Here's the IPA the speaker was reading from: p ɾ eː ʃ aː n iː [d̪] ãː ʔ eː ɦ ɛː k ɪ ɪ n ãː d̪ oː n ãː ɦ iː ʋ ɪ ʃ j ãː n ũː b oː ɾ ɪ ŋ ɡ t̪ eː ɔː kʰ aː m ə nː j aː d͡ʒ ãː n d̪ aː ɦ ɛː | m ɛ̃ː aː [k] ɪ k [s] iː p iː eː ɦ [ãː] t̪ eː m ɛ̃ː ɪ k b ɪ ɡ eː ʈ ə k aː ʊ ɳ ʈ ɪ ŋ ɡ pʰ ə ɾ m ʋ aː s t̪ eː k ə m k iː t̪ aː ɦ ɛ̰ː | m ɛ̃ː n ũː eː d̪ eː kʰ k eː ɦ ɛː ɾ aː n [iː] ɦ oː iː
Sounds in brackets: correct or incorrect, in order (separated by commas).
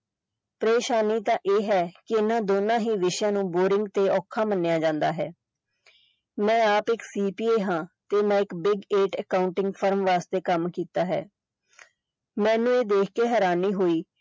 incorrect, incorrect, correct, correct, correct